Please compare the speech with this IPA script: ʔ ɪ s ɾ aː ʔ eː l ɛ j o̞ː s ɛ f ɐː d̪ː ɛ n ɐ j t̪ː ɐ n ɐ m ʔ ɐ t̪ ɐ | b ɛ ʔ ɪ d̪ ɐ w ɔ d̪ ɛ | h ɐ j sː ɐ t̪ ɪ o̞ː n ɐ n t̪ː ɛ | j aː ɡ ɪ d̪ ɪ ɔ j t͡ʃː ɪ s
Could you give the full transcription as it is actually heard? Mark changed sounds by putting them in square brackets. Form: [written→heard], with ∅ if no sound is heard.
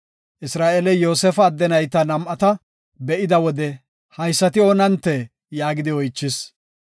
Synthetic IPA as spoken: ʔ ɪ s ɾ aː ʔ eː l ɛ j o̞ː s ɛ f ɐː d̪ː ɛ n ɐ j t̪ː ɐ n ɐ m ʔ ɐ t̪ ɐ | b ɛ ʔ ɪ d̪ ɐ w ɔ d̪ ɛ | h ɐ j sː ɐ t̪ ɪ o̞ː n ɐ n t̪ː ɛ | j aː ɡ ɪ d̪ ɪ ɔ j t͡ʃː ɪ s

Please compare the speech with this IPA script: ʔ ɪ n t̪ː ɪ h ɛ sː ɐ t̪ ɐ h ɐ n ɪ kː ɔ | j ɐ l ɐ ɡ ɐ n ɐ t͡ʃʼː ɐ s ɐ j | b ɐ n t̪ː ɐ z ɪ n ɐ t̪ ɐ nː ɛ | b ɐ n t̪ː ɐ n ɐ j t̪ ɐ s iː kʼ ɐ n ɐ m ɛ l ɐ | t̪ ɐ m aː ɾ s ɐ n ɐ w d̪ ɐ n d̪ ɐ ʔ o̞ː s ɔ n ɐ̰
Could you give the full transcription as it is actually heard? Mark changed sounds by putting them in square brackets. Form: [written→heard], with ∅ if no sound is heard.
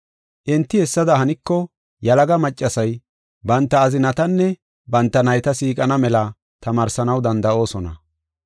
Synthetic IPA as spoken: ʔ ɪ n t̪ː ɪ h ɛ sː ɐ [t̪→d̪] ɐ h ɐ n ɪ kː ɔ | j ɐ l ɐ ɡ ɐ [n→m] ɐ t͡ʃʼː ɐ s ɐ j | b ɐ n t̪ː [ɐ→ɐː] z ɪ n ɐ t̪ ɐ nː ɛ | b ɐ n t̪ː ɐ n ɐ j t̪ ɐ s iː kʼ ɐ n ɐ m ɛ l ɐ | t̪ ɐ m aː ɾ s ɐ n ɐ w d̪ ɐ n d̪ ɐ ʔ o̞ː s ɔ n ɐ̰

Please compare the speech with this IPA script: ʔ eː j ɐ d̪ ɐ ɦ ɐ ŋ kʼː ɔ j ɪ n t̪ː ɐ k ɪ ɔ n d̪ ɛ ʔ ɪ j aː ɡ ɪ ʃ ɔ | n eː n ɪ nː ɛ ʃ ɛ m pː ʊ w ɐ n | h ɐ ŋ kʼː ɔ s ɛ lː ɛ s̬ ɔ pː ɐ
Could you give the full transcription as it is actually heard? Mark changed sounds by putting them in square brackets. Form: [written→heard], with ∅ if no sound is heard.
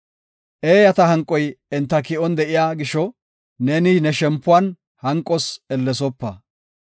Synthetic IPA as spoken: ʔ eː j ɐ [d̪→t̪] ɐ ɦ ɐ ŋ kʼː ɔ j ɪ n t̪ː ɐ k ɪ ɔ n d̪ ɛ ʔ ɪ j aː ɡ ɪ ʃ ɔ | n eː n ɪ [nː→n] ɛ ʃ ɛ m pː ʊ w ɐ n | h ɐ ŋ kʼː ɔ s ɛ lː ɛ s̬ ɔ pː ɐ

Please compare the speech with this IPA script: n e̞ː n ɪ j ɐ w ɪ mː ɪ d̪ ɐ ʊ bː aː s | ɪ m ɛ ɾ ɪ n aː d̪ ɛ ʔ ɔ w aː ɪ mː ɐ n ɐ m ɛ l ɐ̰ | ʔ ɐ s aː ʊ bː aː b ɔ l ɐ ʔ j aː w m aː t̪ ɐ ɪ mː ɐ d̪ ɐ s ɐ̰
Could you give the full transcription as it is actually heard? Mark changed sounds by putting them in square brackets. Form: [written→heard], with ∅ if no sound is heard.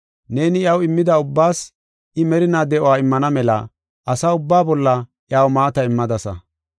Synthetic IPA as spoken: n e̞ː n ɪ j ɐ w ɪ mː ɪ d̪ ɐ ʊ bː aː s | ɪ m ɛ ɾ ɪ n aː d̪ ɛ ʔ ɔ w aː ɪ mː ɐ n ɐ m ɛ l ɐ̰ | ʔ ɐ s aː ʊ bː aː b ɔ [l→lː] ɐ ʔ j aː w m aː t̪ ɐ ɪ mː ɐ d̪ ɐ s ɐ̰

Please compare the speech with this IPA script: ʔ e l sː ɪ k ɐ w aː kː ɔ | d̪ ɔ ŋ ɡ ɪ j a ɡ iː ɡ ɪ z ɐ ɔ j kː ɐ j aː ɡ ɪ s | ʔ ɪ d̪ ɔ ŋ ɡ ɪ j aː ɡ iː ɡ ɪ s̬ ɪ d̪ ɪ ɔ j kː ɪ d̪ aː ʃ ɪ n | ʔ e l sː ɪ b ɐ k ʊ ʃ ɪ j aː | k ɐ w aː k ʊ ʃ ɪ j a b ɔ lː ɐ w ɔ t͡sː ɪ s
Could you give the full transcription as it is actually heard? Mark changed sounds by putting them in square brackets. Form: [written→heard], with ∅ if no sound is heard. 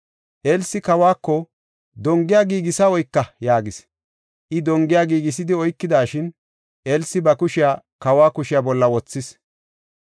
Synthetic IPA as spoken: ʔ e l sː ɪ k ɐ w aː kː ɔ | d̪ ɔ ŋ ɡ ɪ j a ɡ iː ɡ ɪ [z→s] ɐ ɔ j kː ɐ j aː ɡ ɪ s | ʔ ɪ d̪ ɔ ŋ ɡ ɪ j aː ɡ iː ɡ ɪ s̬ ɪ d̪ ɪ ɔ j kː ɪ d̪ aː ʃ ɪ n | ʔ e l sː ɪ b ɐ k ʊ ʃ ɪ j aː | k ɐ w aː k ʊ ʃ ɪ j a b ɔ lː ɐ w ɔ t͡sː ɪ s

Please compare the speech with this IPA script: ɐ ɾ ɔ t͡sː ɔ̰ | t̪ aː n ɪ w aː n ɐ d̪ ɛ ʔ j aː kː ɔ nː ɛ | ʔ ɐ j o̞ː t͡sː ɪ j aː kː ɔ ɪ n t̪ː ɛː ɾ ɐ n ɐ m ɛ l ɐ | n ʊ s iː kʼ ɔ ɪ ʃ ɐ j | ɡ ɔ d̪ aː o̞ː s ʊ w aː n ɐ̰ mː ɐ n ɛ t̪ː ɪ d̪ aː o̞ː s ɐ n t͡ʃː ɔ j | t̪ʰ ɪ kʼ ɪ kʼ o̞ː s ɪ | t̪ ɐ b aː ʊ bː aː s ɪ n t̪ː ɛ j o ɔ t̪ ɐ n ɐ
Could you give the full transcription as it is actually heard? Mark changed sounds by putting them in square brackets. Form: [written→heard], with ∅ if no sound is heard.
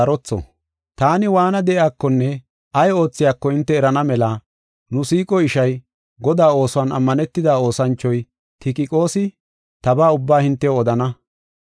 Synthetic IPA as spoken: ɐ ɾ ɔ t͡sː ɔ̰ | t̪ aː n ɪ w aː n ɐ d̪ ɛ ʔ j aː kː ɔ nː ɛ | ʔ ɐ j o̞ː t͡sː ɪ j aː kː ɔ ɪ n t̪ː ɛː ɾ ɐ n ɐ m ɛ l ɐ | n ʊ s iː kʼ ɔ ɪ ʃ ɐ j | ɡ ɔ d̪ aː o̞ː s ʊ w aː n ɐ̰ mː ɐ n ɛ t̪ː ɪ d̪ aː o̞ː s ɐ n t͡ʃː ɔ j | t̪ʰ ɪ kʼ ɪ kʼ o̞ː s ɪ | t̪ ɐ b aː ʊ bː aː [s→h] ɪ n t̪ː ɛ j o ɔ [t̪→d̪] ɐ n ɐ

